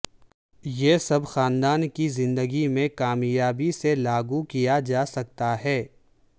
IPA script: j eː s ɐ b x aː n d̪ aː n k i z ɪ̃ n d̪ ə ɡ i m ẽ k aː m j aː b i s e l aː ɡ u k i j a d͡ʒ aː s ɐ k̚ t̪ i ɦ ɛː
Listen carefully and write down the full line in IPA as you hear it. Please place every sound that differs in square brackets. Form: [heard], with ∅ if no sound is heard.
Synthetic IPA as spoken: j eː s ɐ b x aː n d̪ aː n k i z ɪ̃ n d̪ ə ɡ i m ẽ k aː m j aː b i s e l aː ɡ u k i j a d͡ʒ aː s ɐ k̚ t̪ [a] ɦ ɛː